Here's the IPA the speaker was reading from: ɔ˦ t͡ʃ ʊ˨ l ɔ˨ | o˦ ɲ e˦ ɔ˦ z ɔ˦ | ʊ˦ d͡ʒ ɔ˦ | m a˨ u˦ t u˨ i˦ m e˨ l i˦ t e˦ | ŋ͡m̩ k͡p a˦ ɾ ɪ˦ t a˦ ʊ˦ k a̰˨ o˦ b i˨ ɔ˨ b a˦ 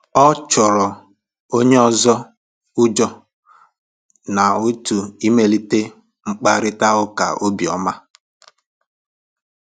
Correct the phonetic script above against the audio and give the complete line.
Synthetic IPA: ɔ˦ t͡ʃ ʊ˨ ɾ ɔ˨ | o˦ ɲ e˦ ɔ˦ z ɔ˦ | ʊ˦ d͡ʒ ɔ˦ | n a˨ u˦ t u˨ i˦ m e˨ l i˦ t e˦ | ŋ͡m̩ k͡p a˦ ɾ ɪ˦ t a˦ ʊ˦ k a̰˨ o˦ b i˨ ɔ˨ m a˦

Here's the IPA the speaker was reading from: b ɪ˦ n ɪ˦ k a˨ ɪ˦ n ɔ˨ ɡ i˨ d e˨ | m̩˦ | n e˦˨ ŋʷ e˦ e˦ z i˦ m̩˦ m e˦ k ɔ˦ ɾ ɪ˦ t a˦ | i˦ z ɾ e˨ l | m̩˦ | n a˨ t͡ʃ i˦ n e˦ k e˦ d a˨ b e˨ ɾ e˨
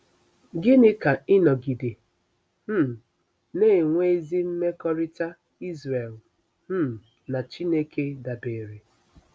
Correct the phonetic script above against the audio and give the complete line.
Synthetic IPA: ɡ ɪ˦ n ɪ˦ k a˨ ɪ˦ n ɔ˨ ɡ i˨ d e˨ | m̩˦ | n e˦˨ ŋʷ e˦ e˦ z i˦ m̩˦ m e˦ k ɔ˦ ɾ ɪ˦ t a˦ | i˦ z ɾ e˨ l | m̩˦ | n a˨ t͡ʃ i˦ n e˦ k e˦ d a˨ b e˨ ɾ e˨

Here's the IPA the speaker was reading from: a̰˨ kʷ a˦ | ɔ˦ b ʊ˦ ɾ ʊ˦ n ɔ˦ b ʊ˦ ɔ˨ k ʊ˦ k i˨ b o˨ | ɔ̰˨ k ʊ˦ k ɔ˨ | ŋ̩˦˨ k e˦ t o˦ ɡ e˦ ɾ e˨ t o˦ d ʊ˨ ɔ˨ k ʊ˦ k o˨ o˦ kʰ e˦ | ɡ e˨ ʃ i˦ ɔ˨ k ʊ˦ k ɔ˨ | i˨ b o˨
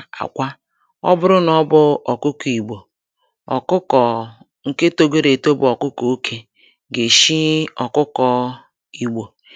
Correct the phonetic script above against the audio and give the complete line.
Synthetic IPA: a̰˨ kʷ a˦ | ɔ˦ b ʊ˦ ɾ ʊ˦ n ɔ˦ b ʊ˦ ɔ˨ k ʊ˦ k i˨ ɡ͡b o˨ | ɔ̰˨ k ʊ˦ k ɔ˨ | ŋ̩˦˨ k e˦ t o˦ ɡ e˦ ɾ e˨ t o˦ b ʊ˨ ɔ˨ k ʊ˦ k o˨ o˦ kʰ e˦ | ɡ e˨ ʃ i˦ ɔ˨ k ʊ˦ k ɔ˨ | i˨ ɡ͡b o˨

